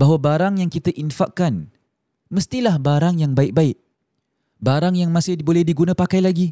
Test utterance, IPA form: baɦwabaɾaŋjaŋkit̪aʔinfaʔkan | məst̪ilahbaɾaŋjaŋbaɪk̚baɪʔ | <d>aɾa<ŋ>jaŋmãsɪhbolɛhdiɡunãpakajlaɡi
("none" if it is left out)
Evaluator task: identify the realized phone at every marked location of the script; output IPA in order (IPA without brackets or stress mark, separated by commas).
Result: b, ŋ